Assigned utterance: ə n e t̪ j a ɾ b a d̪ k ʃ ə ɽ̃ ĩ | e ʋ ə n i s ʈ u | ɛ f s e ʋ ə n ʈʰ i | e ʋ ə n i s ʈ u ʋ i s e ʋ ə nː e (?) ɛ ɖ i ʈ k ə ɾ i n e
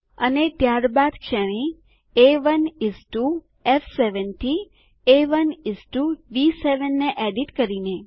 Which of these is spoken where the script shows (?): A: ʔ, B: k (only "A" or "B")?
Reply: A